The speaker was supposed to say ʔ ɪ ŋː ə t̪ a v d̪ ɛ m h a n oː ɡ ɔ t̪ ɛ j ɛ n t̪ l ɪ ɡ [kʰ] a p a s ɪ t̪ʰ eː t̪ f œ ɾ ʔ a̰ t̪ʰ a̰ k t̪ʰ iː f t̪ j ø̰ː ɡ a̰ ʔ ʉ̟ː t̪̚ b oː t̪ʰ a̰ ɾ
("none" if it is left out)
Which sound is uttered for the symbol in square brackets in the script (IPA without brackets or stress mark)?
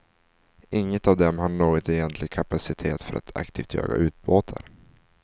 kʰ